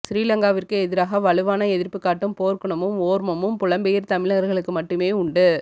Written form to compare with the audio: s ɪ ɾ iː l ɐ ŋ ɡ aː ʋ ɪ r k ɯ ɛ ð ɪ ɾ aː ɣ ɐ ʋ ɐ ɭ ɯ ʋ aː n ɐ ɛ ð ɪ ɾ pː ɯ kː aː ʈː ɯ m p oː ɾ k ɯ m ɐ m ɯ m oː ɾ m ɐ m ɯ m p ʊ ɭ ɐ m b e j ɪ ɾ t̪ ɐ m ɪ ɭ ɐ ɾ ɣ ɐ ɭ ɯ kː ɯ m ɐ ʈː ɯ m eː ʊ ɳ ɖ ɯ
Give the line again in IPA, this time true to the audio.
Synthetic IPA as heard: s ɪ ɾ iː l ɐ ŋ ɡ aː ʋ ɪ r k ɯ ɛ ð ɪ ɾ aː ɣ ɐ ʋ ɐ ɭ ɯ ʋ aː n ɐ ɛ ð ɪ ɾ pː ɯ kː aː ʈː ɯ m p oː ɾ k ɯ ɳ ɐ m ɯ m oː ɾ m ɐ m ɯ m p ʊ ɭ ɐ m b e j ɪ ɾ t̪ ɐ m ɪ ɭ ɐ ɾ ɣ ɐ ɭ ɯ kː ɯ m ɐ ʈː ɯ m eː ʊ ɳ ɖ ɯ